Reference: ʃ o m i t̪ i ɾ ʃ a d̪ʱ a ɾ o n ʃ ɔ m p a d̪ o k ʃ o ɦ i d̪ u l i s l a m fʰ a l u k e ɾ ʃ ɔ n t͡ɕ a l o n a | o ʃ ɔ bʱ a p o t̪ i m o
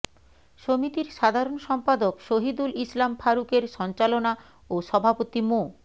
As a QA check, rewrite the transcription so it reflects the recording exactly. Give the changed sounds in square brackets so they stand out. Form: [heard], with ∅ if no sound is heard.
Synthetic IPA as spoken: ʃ o m i t̪ i ɾ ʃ a d̪ʱ a ɾ o n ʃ ɔ m p a d̪ o k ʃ o ɦ i d̪ u l i s l a m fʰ a [ɾ] u k e ɾ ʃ ɔ n t͡ɕ a l o n a | o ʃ ɔ bʱ a p o t̪ i m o